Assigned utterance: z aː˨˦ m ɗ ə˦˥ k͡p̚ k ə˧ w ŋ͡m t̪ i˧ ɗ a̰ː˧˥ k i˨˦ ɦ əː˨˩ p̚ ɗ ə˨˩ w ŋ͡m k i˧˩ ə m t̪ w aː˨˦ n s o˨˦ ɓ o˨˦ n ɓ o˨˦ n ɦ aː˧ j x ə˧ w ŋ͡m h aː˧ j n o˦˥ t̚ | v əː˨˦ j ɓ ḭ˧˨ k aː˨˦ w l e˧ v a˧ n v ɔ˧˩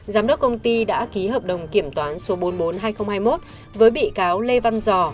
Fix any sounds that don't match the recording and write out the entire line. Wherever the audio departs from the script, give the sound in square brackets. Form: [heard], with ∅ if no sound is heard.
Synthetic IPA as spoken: z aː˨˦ m ɗ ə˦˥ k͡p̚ k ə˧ w ŋ͡m t̪ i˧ ɗ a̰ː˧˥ k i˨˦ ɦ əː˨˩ p̚ ɗ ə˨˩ w ŋ͡m k i˧˩ ə m t̪ w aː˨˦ n s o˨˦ ɓ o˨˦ n ɓ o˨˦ n ɦ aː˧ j x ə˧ w ŋ͡m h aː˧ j [m] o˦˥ t̚ | v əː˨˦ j ɓ ḭ˧˨ k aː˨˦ w l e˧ v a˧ n [z] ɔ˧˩